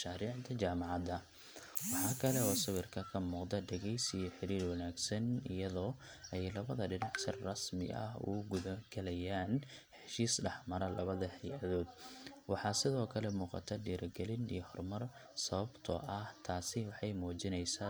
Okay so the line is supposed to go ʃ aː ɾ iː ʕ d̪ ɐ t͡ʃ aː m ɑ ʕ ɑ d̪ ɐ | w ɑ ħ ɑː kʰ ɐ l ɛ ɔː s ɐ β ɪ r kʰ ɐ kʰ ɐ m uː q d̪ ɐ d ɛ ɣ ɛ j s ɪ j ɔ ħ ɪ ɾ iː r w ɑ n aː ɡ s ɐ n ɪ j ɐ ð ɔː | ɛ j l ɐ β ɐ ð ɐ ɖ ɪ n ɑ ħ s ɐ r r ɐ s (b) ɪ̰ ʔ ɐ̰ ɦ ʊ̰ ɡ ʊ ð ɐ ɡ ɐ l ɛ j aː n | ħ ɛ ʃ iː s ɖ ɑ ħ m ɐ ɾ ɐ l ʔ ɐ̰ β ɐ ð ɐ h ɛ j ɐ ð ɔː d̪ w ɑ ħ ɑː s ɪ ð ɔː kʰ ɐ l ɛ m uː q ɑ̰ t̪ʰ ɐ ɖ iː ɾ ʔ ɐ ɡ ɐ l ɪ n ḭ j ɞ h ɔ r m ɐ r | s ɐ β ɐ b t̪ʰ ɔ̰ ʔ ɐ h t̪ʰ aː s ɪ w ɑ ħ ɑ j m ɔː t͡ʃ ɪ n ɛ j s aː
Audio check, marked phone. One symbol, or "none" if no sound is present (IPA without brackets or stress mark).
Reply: m